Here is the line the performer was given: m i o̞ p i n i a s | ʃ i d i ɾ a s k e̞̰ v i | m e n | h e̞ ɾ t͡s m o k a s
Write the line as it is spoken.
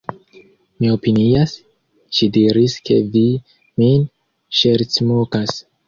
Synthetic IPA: m i o̞ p i n i a s | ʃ i d i ɾ i s k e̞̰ v i | m i n | ʃ e̞ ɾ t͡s m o k a s